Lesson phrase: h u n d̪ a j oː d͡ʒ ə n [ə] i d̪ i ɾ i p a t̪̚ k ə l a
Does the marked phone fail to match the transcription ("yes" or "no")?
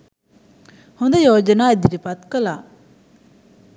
yes